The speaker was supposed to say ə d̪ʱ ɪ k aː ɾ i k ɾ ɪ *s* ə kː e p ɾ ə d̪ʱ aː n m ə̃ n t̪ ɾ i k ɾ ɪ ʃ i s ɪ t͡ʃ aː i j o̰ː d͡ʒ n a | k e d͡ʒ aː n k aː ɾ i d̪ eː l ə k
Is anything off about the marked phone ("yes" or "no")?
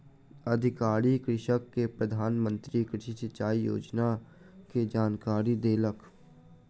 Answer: yes